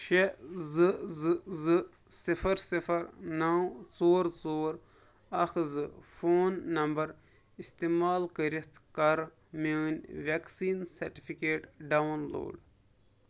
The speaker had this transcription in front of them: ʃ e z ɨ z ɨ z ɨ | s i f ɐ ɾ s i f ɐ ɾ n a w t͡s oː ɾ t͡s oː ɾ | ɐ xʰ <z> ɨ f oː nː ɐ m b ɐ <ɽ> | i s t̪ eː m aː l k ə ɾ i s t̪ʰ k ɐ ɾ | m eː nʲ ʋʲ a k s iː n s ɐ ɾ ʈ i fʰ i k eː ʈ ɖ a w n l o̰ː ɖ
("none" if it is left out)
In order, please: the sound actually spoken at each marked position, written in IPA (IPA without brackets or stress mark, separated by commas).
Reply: z, ɾ